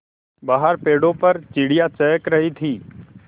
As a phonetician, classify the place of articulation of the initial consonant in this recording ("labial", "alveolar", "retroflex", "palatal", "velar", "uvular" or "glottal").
labial